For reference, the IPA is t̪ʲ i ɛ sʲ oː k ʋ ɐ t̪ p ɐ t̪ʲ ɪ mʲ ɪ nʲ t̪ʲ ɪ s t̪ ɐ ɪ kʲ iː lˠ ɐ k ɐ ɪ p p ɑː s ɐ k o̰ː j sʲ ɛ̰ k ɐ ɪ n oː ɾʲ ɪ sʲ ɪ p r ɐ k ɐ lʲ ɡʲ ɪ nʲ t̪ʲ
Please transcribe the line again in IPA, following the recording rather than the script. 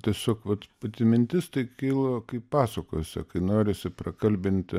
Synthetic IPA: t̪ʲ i ɛ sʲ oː k ʋ ɐ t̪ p ɐ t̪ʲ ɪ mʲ ɪ nʲ t̪ʲ ɪ s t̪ ɐ ɪ kʲ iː lˠ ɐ k ɐ ɪ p p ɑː s ɐ k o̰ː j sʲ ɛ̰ k ɐ ɪ n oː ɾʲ ɪ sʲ ɪ p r ɐ k ɐ lʲ bʲ ɪ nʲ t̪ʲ